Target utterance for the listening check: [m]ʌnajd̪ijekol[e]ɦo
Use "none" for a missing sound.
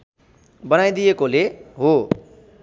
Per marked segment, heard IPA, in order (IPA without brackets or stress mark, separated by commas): b, e